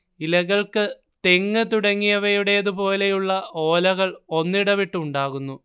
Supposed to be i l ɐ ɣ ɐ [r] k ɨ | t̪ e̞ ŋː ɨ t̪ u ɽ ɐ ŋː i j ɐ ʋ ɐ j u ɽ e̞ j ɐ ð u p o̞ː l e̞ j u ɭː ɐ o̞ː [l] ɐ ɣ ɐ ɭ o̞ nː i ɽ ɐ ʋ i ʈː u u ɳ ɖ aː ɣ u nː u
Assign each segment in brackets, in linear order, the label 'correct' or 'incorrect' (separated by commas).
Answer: incorrect, correct